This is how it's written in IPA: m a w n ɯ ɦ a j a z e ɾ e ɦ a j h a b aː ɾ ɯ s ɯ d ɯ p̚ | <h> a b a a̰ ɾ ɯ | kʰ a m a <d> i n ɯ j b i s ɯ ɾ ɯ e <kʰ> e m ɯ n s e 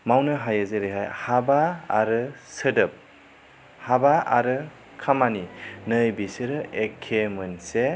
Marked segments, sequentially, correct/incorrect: correct, incorrect, correct

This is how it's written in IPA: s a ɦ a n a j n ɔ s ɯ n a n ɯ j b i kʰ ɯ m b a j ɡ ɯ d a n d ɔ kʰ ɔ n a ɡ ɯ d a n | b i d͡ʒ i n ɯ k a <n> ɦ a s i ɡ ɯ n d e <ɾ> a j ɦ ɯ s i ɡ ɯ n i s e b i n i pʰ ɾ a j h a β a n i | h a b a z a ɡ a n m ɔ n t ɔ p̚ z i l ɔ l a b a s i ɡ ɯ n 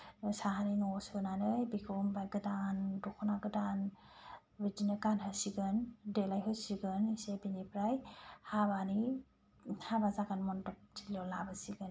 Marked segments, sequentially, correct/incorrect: correct, incorrect

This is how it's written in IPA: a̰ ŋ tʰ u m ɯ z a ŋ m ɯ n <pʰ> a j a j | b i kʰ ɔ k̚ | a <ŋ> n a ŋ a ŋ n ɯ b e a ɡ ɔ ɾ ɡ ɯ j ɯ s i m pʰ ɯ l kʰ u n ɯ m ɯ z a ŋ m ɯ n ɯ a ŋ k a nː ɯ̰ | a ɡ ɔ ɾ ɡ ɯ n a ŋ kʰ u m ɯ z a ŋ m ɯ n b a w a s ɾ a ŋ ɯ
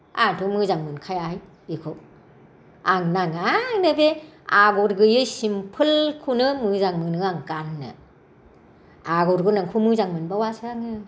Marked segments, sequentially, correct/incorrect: incorrect, correct

